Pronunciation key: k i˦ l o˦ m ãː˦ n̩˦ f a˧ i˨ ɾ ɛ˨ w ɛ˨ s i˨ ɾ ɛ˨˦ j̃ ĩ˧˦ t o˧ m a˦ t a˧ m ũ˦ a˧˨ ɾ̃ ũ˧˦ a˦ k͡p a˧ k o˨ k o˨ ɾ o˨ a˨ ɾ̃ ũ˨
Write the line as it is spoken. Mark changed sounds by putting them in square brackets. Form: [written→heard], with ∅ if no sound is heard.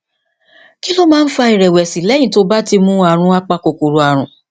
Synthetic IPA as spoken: k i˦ l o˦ m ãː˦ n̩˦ f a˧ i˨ ɾ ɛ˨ w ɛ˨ s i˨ [ɾ→l] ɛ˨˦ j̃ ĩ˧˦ t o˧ [m→b] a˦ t [a˧→i˧] m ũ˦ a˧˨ ɾ̃ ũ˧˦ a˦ k͡p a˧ k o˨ k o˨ ɾ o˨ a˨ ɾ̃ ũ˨